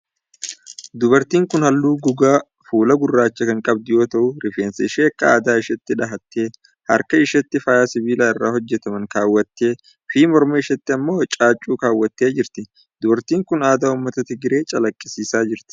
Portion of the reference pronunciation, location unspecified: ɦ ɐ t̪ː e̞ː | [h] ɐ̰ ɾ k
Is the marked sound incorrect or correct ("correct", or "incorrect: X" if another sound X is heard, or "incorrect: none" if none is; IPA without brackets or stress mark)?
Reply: correct